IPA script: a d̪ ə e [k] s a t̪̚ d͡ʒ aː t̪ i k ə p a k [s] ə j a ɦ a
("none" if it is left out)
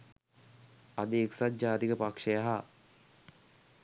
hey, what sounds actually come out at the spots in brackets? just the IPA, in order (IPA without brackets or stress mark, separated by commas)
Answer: k, ʂ